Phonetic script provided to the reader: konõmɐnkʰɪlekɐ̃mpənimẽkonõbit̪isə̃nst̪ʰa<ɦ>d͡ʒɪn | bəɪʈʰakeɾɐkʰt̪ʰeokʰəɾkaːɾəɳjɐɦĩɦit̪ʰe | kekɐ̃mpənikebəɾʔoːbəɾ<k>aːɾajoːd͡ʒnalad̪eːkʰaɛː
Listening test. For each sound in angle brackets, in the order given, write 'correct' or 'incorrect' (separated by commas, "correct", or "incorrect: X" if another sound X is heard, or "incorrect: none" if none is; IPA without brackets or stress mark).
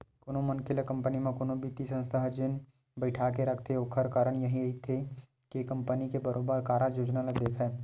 correct, correct